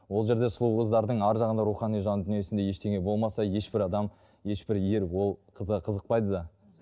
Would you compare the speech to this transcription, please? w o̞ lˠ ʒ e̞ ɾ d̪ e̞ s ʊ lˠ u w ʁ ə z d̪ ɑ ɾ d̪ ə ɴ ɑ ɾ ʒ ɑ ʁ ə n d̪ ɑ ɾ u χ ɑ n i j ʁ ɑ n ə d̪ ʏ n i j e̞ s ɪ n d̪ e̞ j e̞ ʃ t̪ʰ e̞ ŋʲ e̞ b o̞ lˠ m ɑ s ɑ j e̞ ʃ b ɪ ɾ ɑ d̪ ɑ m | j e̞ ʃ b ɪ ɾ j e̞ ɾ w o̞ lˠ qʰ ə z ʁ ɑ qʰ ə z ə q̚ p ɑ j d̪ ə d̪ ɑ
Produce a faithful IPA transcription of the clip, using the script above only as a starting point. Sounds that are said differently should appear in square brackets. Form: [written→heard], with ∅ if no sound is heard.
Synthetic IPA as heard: w o̞ lˠ ʒ e̞ ɾ d̪ e̞ s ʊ lˠ u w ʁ ə z d̪ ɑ ɾ d̪ ə ɴ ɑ ɾ ʒ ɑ ʁ ə n d̪ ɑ ɾ u χ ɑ n i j [ʁ→ʒ] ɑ n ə d̪ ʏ n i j e̞ s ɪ n d̪ e̞ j e̞ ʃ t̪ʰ e̞ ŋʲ e̞ b o̞ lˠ m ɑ s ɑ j e̞ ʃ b ɪ ɾ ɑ d̪ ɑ m | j e̞ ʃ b ɪ ɾ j e̞ ɾ w o̞ lˠ qʰ ə z ʁ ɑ qʰ ə z ə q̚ p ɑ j d̪ ə d̪ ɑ

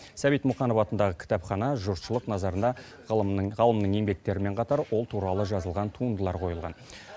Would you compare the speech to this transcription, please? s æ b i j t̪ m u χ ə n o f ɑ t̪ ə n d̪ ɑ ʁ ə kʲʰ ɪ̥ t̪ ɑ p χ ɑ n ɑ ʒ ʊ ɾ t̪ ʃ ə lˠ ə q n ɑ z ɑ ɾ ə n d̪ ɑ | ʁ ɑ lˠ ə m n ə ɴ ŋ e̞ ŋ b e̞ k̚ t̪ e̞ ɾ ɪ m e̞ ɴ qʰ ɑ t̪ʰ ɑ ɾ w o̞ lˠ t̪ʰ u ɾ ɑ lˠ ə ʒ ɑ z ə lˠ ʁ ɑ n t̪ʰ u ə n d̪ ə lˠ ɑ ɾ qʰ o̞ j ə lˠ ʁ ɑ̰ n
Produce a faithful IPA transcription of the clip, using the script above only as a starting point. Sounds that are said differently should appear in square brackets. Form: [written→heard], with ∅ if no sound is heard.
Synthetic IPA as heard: s æ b i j t̪ m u χ [ə→ɑ] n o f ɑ t̪ ə n d̪ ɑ ʁ ə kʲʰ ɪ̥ t̪ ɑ p χ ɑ n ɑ ʒ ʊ ɾ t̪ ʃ ə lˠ ə q n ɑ z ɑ ɾ ə n d̪ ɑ | ʁ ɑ lˠ ə m n ə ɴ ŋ e̞ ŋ b e̞ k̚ t̪ e̞ ɾ ɪ m e̞ ɴ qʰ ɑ [t̪ʰ→t̪] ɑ ɾ w o̞ lˠ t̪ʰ u ɾ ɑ lˠ ə ʒ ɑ z ə lˠ ʁ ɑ n t̪ʰ u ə n d̪ ə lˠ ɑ ɾ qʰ o̞ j ə lˠ ʁ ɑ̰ n

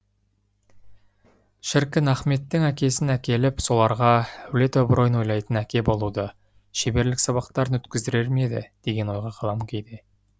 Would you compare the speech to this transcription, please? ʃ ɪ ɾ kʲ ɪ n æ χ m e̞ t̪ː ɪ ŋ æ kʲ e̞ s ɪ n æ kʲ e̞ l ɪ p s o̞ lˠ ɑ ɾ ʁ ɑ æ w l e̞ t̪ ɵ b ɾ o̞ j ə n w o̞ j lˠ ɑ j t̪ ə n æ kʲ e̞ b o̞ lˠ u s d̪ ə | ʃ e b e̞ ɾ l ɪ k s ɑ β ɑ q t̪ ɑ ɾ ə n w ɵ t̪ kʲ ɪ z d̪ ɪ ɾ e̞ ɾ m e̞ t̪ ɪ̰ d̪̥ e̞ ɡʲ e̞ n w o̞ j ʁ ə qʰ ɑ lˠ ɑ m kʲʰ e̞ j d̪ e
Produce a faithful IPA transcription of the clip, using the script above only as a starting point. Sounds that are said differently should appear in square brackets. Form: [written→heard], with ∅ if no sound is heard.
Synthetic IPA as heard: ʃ ɪ ɾ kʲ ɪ n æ χ m e̞ t̪ː ɪ ŋ æ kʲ e̞ s ɪ n æ kʲ e̞ l ɪ p s o̞ lˠ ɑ ɾ ʁ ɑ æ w l e̞ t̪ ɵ b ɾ o̞ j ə n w o̞ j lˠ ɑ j t̪ ə n æ kʲ e̞ b o̞ lˠ u [s→∅] d̪ ə | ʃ e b e̞ ɾ l ɪ k s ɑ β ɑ q t̪ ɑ ɾ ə n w ɵ t̪ kʲ ɪ z d̪ ɪ ɾ e̞ ɾ m e̞ [t̪→d̪] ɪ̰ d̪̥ e̞ ɡʲ e̞ n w o̞ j ʁ [ə→ɑ] qʰ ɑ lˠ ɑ m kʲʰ e̞ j d̪ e

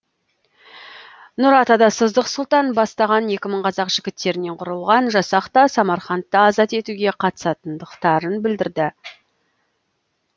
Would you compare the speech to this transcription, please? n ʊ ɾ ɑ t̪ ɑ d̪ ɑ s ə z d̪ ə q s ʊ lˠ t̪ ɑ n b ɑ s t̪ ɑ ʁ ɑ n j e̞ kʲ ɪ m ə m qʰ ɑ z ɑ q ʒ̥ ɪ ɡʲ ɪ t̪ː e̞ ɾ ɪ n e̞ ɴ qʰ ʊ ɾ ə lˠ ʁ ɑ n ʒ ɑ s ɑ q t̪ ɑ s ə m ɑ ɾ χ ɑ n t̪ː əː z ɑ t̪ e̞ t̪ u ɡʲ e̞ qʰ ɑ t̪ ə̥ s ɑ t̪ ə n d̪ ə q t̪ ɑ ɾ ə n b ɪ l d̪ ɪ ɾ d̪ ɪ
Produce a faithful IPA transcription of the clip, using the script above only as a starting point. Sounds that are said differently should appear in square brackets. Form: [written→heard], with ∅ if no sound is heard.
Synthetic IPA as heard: n ʊ ɾ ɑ t̪ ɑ d̪ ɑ s ə z d̪ ə q s ʊ lˠ t̪ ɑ n b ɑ s t̪ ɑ ʁ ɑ n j e̞ kʲ ɪ m ə [m→ɴ] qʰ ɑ z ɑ q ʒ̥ ɪ ɡʲ ɪ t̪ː e̞ ɾ ɪ n e̞ ɴ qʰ ʊ ɾ ə lˠ ʁ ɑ n ʒ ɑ s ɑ q t̪ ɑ s [ə→ɑ] m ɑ ɾ χ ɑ n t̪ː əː z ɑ t̪ e̞ t̪ u ɡʲ e̞ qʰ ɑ t̪ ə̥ s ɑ t̪ ə n d̪ ə q t̪ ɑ ɾ ə n b ɪ l d̪ ɪ ɾ d̪ ɪ

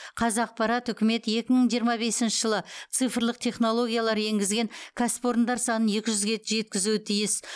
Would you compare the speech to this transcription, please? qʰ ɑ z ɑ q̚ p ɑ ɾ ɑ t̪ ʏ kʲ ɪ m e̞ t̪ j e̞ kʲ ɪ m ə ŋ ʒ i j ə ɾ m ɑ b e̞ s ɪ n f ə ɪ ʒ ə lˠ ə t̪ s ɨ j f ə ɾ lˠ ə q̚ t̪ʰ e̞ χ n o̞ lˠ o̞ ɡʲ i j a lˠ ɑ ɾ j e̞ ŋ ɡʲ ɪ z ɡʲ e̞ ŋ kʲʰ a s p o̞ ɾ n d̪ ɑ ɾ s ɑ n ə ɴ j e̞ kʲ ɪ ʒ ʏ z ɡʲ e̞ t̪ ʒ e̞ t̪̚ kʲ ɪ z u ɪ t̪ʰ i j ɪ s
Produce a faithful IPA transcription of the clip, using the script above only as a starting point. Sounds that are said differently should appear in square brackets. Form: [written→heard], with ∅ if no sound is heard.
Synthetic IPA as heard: qʰ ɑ z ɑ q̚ p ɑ ɾ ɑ t̪ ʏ kʲ ɪ m e̞ t̪ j e̞ kʲ ɪ m ə [ŋ→ɴ] ʒ i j ə ɾ m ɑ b e̞ s ɪ n [f→ʃ] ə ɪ ʒ ə lˠ ə t̪ s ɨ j f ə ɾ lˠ ə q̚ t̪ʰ e̞ χ n o̞ lˠ o̞ ɡʲ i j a lˠ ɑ ɾ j e̞ ŋ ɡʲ ɪ z ɡʲ e̞ ŋ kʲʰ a s p o̞ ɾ n d̪ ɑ ɾ s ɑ n ə [ɴ→n] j e̞ kʲ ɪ ʒ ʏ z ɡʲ e̞ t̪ ʒ e̞ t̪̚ kʲ ɪ z u ɪ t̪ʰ i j ɪ s

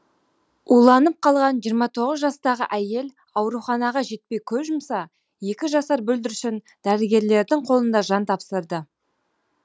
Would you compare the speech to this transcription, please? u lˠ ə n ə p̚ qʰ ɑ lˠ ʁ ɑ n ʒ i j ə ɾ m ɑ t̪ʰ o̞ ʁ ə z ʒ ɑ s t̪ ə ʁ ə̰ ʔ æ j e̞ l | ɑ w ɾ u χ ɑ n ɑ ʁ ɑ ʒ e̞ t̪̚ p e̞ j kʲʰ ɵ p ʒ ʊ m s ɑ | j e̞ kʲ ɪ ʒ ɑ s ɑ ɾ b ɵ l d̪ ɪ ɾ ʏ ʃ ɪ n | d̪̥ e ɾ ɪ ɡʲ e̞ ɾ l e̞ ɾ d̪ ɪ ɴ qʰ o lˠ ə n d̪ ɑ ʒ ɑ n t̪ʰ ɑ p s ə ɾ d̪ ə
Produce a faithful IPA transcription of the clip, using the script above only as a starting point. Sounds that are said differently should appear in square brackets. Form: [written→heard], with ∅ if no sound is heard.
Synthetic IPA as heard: u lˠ [ə→ɑ] n ə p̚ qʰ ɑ lˠ ʁ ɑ n ʒ i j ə ɾ m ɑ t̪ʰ o̞ ʁ ə z ʒ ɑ s t̪ [ə→ɑ] ʁ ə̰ ʔ æ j e̞ l | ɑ w ɾ u χ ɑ n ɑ ʁ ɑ ʒ e̞ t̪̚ p e̞ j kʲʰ ɵ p ʒ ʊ m s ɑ | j e̞ kʲ ɪ ʒ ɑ s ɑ ɾ b ɵ l d̪ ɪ ɾ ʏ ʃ ɪ n | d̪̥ [e→æ] ɾ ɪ ɡʲ e̞ ɾ l e̞ ɾ d̪ ɪ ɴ qʰ o lˠ ə n d̪ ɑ ʒ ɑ n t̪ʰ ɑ p s ə ɾ d̪ ə

